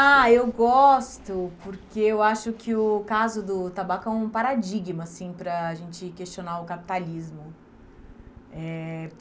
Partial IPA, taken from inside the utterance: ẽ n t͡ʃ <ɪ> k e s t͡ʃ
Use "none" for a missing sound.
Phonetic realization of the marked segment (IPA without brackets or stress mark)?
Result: ɪ